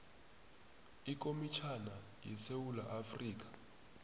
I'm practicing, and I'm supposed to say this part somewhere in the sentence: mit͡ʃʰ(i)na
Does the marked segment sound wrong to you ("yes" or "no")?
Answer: yes